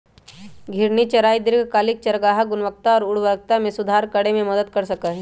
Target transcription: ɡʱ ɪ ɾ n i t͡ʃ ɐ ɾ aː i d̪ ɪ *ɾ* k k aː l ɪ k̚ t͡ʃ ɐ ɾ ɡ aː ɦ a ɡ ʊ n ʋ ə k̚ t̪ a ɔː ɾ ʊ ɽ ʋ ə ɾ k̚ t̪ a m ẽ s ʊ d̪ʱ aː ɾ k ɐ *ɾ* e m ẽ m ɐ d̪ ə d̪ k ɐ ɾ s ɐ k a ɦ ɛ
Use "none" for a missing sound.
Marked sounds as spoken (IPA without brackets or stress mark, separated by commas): ɾ, ɽ